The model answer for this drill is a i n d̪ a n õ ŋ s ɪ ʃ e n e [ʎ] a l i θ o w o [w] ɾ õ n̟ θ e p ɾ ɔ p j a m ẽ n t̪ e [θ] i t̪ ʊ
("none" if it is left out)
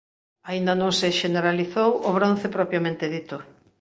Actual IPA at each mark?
ɾ, β, ð

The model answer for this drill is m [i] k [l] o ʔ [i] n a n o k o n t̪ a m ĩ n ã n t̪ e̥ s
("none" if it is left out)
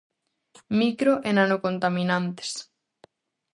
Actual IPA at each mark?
i, ɾ, e

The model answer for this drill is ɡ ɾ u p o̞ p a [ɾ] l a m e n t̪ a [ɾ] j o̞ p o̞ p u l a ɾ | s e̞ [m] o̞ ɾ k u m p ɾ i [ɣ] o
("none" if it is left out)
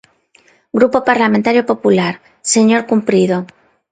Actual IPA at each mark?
ɾ, ɾ, ɲ, ð

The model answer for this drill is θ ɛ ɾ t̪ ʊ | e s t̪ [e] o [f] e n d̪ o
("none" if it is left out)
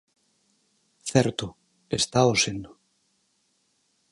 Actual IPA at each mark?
a, s

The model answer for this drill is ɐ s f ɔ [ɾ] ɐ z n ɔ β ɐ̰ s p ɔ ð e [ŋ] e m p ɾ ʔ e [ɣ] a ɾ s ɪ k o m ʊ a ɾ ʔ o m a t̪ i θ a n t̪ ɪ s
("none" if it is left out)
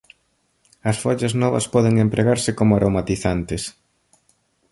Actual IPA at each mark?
ʎ, ŋ, ɣ

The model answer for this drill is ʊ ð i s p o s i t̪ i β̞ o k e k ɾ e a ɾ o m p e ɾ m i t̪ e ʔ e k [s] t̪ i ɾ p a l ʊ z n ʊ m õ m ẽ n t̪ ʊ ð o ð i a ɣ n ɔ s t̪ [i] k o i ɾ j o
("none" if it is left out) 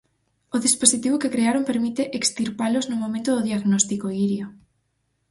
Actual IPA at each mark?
s, i

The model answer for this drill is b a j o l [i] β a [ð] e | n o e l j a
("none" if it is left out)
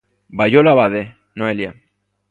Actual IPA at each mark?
a, ð

